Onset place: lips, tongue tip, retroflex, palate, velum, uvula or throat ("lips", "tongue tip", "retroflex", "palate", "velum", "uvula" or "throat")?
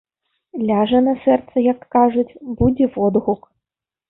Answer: tongue tip